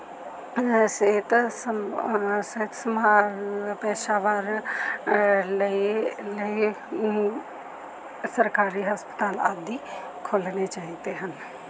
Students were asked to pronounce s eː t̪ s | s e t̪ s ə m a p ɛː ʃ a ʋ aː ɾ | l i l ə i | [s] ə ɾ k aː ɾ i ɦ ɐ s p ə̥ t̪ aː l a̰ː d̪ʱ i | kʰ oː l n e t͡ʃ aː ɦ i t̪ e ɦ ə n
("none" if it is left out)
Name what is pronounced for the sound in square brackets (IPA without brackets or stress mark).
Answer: s